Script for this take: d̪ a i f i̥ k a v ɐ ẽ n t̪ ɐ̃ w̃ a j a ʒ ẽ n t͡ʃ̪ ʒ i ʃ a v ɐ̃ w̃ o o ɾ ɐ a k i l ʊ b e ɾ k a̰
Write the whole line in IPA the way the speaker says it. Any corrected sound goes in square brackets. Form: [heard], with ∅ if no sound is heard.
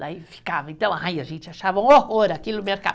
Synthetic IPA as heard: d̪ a i f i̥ k a v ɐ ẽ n t̪ ɐ̃ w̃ a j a ʒ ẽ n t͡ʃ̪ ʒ [a] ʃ a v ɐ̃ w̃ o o ɾ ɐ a k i l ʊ [m] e ɾ k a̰

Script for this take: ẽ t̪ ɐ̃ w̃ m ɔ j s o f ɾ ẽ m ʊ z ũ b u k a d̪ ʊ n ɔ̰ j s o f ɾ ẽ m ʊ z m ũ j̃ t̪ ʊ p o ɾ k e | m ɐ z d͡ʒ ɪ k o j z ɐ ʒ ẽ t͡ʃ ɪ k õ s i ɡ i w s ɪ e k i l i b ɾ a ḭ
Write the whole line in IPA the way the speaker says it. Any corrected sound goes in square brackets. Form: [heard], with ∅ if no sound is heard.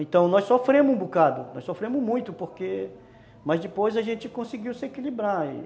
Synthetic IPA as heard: ẽ t̪ ɐ̃ w̃ [n] ɔ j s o f ɾ ẽ m ʊ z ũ b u k a d̪ ʊ n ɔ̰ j s o f ɾ ẽ m ʊ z m ũ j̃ t̪ ʊ p o ɾ k e | m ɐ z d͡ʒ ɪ [p] o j z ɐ ʒ ẽ t͡ʃ ɪ k õ s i ɡ i w s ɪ e k i l i b ɾ a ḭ

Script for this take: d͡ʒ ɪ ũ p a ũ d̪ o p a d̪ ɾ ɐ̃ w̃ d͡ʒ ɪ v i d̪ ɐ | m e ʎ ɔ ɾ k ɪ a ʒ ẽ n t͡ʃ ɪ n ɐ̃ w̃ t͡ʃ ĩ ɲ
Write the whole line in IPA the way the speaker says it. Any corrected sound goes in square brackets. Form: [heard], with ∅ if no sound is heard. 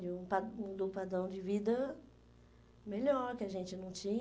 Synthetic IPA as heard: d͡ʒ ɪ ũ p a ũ d̪ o p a d̪ ɾ ɐ̃ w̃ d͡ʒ ɪ v i d̪ ɐ | m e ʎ ɔ ɾ k ɪ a ʒ ẽ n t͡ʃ ɪ n ɐ̃ w̃ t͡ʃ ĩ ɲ

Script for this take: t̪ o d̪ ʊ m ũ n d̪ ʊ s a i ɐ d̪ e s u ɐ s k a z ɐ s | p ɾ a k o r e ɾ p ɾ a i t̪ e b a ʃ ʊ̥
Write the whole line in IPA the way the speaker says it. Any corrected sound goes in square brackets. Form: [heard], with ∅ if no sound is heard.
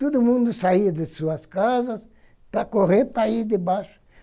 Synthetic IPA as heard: t̪ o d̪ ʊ m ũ n d̪ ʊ s a i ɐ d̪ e s u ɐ s k a z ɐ s | p ɾ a k o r e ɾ p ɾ a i [d̪] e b a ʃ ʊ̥

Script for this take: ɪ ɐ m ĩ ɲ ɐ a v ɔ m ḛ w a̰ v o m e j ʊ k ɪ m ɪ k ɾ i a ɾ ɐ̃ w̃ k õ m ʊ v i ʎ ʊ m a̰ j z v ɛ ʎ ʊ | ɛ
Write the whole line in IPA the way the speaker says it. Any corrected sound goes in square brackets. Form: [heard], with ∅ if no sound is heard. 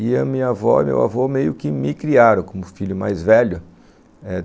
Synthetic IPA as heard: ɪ ɐ m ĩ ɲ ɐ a v ɔ m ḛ w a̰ v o m e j ʊ k ɪ m ɪ k ɾ i a ɾ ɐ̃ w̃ k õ m ʊ [f] i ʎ ʊ m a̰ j z v ɛ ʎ ʊ | ɛ

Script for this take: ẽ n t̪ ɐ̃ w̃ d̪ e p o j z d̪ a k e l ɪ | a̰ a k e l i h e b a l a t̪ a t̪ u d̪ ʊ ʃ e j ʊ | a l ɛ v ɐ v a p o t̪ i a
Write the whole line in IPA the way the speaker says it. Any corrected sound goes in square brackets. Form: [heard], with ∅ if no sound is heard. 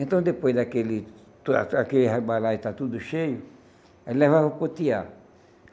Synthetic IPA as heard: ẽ n t̪ ɐ̃ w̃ d̪ e p o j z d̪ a k e l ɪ | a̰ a k e l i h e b a l a t̪ a t̪ u d̪ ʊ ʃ e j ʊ | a l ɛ v [a] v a p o t̪ i a

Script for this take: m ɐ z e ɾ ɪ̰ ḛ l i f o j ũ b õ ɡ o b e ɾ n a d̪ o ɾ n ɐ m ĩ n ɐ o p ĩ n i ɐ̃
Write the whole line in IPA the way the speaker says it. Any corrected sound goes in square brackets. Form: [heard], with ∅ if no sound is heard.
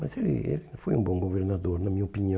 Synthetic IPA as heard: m ɐ z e [l] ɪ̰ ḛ l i f o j ũ b õ ɡ o [v] e ɾ n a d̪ o ɾ n ɐ m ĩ [ɲ] ɐ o p [i] n i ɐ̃

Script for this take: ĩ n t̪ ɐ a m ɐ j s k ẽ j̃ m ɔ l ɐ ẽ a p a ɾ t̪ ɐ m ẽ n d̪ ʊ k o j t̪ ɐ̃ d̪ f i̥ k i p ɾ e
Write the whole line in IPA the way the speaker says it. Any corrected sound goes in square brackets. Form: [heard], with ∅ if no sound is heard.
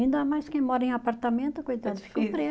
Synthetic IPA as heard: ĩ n [d̪] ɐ a m [a] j s k ẽ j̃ m ɔ [ɾ] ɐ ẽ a p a ɾ t̪ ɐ m ẽ n [t̪] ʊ k o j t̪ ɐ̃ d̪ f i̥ k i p ɾ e

